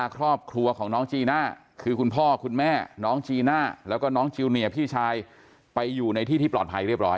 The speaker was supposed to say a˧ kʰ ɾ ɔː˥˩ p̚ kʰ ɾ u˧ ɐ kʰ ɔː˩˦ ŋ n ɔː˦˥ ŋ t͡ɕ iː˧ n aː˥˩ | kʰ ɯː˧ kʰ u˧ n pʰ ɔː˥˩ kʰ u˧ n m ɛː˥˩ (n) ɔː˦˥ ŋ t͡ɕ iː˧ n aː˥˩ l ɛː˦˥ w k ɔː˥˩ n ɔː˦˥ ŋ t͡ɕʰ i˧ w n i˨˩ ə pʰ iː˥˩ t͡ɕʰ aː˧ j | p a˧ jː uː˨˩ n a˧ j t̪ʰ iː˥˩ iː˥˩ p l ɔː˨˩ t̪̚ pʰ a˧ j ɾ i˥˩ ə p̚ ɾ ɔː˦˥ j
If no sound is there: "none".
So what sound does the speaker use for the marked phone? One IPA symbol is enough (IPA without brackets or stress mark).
n